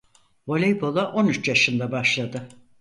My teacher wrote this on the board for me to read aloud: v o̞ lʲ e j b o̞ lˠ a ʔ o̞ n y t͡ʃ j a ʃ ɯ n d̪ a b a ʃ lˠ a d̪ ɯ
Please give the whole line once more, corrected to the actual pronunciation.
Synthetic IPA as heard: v o̞ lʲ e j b o̞ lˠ a ʔ o̞ n y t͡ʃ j a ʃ ɯ n d̪ a b a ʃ lˠ a d̪ ɯ